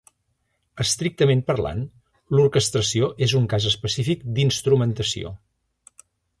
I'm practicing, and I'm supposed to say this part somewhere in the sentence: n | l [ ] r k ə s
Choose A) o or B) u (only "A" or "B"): B